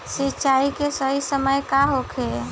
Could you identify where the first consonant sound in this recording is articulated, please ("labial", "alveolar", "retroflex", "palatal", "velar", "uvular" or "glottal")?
alveolar